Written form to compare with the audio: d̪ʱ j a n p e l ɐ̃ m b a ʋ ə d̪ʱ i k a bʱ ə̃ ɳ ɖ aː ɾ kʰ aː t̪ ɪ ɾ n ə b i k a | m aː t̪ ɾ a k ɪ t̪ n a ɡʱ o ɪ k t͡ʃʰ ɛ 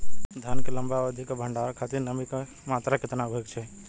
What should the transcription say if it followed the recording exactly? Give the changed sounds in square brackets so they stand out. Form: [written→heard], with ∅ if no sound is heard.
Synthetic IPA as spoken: d̪ʱ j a n [p→k] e l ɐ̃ m b a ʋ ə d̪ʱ i k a bʱ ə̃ ɳ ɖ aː ɾ kʰ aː t̪ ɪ ɾ n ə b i k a | m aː t̪ ɾ a k ɪ t̪ n a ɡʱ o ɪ k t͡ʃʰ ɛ